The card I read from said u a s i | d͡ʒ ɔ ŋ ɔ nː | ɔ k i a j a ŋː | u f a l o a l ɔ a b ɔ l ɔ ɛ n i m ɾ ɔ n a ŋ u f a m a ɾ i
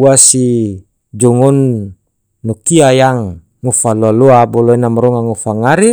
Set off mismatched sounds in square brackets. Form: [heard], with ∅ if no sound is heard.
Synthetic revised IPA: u a s i | d͡ʒ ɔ ŋ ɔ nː | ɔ k i a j a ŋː | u f a l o a l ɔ a b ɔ l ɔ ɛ n [a] m ɾ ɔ [ŋ] a ŋ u f a [ŋ] a ɾ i